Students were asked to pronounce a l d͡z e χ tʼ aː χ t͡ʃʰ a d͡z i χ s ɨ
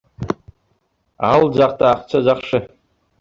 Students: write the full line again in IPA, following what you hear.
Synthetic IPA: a l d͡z a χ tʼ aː χ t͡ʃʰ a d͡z a χ ʂ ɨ